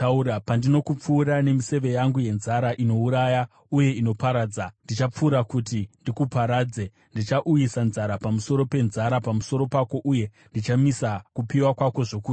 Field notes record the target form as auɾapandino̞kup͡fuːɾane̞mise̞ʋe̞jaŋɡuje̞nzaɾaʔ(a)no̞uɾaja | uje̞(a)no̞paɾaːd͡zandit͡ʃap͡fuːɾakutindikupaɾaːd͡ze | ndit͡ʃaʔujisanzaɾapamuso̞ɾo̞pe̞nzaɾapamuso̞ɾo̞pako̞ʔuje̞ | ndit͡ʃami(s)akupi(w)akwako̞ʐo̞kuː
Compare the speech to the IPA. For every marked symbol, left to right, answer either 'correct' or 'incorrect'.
incorrect: i, incorrect: i, correct, correct

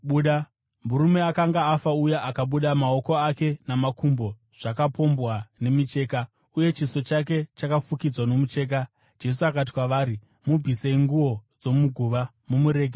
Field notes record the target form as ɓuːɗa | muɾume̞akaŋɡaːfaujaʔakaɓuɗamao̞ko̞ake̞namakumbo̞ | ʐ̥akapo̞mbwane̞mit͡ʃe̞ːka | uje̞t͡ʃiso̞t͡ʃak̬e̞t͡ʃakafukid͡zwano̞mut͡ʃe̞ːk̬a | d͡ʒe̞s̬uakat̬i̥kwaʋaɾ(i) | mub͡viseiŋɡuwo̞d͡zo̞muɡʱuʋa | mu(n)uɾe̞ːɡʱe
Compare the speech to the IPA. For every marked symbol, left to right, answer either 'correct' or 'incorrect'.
correct, incorrect: m

